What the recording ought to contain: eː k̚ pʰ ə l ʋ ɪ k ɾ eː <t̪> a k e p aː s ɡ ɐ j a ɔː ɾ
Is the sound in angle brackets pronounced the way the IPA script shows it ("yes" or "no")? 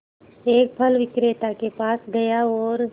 yes